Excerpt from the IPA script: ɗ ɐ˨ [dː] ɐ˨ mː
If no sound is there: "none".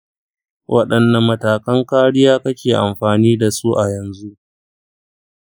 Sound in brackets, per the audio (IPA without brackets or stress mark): nː